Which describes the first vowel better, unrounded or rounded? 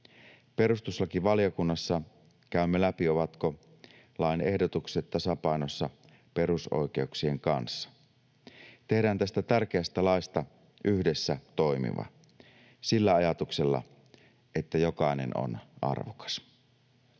unrounded